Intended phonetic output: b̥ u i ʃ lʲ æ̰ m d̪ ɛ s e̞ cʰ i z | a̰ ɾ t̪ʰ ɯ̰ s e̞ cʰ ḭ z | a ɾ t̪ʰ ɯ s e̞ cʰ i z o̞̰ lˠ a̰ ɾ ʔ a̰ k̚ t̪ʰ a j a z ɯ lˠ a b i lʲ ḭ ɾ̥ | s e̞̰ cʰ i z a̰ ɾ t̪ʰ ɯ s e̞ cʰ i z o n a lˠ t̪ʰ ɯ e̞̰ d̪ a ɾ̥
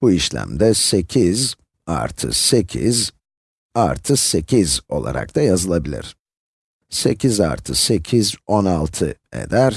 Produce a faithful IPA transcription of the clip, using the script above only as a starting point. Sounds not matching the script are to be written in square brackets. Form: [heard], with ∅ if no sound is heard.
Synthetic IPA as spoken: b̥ u i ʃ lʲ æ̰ m d̪ ɛ s e̞ cʰ i z | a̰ ɾ t̪ʰ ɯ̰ s e̞ cʰ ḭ z | a ɾ t̪ʰ ɯ s e̞ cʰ i z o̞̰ lˠ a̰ ɾ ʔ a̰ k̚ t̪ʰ a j a z ɯ lˠ a b i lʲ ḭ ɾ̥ | s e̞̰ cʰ i z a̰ ɾ t̪ʰ ɯ s e̞ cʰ i z o n a lˠ t̪ʰ ɯ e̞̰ d̪ [æ] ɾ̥